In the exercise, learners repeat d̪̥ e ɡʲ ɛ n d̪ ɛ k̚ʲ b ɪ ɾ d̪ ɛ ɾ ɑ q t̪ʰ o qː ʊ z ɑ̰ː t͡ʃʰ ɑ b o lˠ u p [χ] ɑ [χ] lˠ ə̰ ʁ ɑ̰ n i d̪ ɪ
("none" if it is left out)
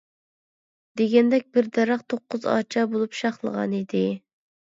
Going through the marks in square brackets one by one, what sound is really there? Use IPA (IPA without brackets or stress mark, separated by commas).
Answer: ʃ, χ